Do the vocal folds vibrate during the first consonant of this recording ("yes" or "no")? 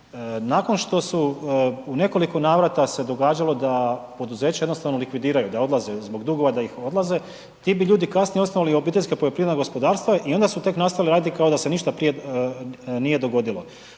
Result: yes